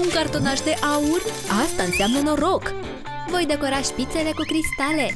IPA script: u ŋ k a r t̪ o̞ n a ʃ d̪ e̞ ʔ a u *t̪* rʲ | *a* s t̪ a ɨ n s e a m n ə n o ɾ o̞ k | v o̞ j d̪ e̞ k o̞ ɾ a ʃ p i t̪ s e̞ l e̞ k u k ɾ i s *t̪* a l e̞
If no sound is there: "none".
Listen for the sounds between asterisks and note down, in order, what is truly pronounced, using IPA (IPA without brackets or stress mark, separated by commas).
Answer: none, a, t̪